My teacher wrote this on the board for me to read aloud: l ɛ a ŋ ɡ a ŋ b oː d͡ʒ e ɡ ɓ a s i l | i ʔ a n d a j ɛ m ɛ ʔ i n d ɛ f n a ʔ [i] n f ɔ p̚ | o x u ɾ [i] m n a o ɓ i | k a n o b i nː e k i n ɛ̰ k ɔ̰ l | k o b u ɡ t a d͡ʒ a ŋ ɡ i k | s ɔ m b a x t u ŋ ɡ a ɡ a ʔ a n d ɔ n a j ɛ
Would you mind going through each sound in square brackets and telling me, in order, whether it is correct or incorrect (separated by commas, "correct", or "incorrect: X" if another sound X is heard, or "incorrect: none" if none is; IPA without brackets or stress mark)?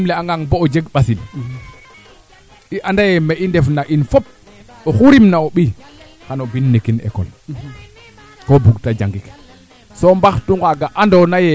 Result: correct, correct